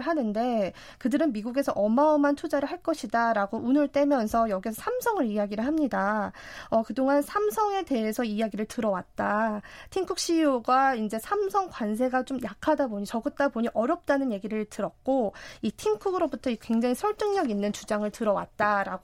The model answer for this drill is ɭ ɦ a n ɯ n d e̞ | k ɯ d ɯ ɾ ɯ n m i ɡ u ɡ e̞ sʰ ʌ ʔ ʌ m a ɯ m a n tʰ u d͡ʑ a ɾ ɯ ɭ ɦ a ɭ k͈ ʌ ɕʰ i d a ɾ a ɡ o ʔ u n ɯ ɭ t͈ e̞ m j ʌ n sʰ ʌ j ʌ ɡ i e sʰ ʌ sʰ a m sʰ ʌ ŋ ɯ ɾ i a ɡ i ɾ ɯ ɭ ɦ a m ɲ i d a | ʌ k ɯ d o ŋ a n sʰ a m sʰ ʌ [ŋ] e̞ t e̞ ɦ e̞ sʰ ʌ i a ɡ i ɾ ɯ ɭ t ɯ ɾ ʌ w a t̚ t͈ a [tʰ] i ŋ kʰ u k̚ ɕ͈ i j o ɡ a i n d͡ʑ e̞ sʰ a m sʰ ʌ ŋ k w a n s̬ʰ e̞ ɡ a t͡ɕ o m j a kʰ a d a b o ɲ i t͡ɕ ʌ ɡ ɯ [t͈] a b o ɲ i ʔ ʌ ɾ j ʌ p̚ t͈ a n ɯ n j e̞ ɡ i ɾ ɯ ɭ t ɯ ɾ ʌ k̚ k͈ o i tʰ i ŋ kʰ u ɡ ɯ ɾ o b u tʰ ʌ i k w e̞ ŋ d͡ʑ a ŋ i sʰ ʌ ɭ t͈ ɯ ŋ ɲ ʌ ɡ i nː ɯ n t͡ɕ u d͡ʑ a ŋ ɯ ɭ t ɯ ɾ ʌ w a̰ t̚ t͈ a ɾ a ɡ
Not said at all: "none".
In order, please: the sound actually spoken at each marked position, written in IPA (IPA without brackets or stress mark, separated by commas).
ŋ, tʰ, t͈